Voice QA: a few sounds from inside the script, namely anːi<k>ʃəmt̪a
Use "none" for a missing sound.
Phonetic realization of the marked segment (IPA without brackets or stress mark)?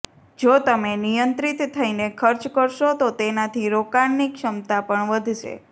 k